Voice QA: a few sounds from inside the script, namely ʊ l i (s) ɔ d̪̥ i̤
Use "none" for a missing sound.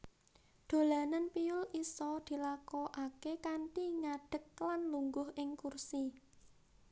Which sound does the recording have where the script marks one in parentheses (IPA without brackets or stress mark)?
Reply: s